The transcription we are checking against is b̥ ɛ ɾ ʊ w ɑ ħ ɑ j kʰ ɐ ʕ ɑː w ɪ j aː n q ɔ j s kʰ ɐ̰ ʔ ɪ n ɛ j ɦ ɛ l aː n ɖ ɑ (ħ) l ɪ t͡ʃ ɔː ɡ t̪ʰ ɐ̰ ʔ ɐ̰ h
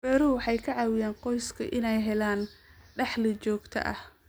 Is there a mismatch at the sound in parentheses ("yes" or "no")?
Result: no